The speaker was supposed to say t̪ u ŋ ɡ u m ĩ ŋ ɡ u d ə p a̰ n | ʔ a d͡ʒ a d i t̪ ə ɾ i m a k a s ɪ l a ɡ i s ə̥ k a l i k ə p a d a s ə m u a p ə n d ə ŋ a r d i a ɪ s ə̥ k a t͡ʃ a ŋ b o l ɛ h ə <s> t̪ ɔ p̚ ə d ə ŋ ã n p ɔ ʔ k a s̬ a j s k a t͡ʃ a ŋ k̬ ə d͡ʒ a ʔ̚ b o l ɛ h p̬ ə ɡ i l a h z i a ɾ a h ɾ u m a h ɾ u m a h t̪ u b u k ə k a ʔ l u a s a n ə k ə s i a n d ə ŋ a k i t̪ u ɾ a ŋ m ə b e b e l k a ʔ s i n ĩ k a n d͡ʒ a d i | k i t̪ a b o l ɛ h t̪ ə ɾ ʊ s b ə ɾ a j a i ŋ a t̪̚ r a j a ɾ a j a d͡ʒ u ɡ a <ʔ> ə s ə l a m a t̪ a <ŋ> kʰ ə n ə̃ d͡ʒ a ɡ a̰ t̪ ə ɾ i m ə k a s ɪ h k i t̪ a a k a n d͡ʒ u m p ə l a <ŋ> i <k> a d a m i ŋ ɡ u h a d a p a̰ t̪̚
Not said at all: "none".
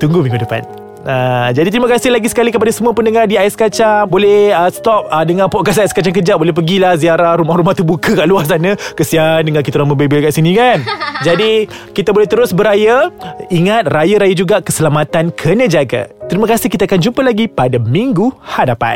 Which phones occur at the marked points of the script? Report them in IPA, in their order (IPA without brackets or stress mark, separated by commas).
s, k, n, ɡ, p